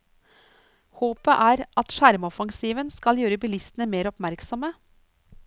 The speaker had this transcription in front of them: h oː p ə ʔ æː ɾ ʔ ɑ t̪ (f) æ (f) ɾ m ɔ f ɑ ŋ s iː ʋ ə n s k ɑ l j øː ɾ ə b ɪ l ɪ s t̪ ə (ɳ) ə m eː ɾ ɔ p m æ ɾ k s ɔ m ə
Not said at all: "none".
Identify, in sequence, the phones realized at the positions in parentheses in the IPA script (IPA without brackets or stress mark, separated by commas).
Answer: ʃ, none, n